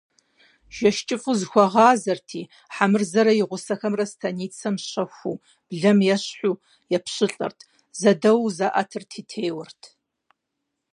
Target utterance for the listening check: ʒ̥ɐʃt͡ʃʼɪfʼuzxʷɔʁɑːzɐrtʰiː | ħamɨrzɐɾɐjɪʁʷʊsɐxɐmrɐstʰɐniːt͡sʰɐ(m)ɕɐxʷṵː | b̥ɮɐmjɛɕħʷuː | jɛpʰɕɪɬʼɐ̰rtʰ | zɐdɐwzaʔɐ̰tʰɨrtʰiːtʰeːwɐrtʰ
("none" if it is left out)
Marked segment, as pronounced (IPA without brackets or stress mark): m